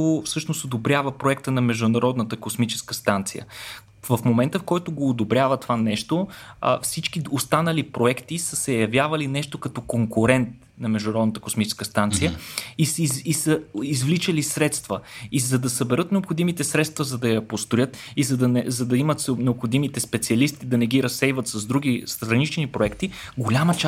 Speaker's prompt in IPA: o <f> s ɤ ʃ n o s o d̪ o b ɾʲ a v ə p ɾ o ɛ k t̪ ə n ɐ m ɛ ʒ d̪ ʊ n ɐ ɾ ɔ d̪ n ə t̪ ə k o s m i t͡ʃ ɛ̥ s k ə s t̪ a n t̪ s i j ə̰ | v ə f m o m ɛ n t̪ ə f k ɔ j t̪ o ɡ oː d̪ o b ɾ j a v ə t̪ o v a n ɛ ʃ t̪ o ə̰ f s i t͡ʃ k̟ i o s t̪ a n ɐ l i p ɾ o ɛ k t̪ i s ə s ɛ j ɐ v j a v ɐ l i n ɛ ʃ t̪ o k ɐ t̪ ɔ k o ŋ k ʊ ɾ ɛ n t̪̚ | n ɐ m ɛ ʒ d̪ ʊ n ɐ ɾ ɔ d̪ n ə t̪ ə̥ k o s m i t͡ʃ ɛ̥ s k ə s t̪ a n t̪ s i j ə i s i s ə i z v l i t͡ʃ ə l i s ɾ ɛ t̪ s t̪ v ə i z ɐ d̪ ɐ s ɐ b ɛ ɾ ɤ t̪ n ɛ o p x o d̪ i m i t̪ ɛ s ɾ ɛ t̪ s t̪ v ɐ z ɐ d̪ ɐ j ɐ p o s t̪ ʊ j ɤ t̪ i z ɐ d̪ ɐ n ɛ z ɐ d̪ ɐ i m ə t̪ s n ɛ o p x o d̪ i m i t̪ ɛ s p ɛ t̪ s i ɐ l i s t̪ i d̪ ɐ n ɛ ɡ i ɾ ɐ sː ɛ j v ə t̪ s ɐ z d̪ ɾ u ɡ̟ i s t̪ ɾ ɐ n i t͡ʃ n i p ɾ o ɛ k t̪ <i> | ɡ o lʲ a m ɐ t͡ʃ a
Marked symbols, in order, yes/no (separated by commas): yes, yes